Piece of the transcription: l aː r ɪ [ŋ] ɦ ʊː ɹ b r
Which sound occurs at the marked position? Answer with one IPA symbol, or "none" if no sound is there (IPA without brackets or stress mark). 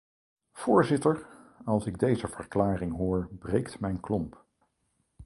ŋ